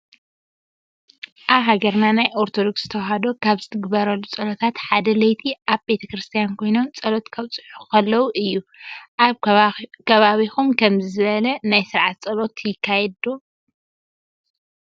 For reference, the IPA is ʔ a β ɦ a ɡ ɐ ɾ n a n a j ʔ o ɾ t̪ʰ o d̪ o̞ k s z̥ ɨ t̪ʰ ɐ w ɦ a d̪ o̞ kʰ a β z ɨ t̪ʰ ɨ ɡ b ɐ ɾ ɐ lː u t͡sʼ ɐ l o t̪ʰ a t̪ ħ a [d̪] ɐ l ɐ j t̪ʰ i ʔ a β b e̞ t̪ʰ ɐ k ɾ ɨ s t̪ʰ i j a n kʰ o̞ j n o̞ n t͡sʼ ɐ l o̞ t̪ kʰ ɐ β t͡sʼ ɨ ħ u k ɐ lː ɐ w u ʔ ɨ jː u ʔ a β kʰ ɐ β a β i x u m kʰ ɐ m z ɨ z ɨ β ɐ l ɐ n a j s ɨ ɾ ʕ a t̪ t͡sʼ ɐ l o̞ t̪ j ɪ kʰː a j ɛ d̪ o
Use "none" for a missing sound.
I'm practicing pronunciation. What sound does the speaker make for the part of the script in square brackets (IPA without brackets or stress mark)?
d̪